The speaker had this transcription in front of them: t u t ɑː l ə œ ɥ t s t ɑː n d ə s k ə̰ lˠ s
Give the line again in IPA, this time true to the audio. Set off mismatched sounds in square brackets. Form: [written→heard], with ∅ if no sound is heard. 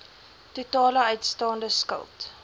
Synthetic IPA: t u t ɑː l ə œ ɥ t s t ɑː n d ə s k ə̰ lˠ [s→t]